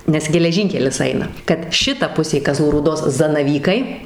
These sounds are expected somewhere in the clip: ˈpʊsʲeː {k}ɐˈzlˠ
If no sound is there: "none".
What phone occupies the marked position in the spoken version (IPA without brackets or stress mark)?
k